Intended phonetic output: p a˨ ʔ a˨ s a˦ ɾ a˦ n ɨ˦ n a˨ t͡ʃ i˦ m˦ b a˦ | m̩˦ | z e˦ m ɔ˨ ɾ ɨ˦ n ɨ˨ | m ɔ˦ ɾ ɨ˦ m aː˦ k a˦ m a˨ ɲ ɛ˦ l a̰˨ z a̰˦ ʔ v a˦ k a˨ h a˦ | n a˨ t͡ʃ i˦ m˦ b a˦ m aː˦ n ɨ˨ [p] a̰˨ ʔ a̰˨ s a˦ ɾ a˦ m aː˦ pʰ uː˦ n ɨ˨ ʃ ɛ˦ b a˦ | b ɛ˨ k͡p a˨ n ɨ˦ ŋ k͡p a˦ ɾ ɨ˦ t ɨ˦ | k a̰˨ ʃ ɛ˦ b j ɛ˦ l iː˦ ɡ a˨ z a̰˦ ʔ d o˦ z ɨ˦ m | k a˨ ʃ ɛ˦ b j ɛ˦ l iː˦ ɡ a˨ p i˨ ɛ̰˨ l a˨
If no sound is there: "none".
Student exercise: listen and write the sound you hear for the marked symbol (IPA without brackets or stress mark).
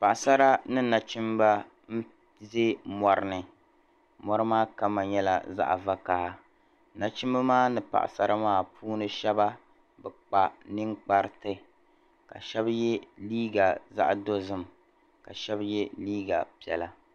p